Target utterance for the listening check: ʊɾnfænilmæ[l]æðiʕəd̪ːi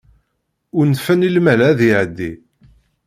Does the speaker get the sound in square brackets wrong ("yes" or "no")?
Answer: no